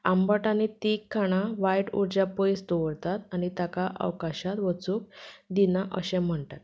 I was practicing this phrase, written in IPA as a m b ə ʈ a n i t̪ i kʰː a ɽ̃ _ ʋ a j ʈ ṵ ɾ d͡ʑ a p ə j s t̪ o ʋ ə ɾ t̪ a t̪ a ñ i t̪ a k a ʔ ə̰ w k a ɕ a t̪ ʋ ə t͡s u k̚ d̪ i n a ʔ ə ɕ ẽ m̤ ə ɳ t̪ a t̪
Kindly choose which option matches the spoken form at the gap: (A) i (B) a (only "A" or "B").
B